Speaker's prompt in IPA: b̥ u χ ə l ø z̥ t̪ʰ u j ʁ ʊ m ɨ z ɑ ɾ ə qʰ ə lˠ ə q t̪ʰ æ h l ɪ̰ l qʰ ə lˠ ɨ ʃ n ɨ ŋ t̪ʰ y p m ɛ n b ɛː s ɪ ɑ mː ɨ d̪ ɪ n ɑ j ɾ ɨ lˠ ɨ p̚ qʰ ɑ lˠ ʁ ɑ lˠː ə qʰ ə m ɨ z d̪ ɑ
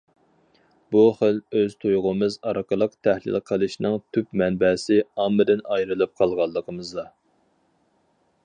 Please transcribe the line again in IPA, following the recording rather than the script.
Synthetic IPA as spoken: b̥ u χ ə l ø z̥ t̪ʰ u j ʁ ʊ m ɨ z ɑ ɾ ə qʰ ə lˠ ə q t̪ʰ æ h l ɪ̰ l qʰ ə lˠ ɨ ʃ n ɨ ŋ t̪ʰ y p m ɛ n b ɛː s ɪ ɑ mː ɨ d̪ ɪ n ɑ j ɾ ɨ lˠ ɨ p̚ qʰ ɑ lˠ ʁ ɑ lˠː ə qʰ ə m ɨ z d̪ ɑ